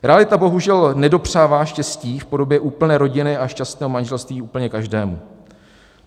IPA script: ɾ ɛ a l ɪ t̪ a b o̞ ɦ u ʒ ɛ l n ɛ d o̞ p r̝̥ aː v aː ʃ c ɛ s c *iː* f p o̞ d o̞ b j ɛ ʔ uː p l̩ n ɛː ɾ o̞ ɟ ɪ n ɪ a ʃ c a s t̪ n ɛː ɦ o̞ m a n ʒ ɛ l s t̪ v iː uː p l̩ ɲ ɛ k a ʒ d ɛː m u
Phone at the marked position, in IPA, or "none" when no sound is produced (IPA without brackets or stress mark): iː